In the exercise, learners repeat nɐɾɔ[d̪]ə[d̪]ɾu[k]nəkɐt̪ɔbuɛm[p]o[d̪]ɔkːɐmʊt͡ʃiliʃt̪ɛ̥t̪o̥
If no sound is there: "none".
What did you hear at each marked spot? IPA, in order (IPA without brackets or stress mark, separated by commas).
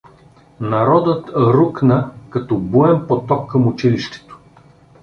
d̪, t̪, k, p, t̪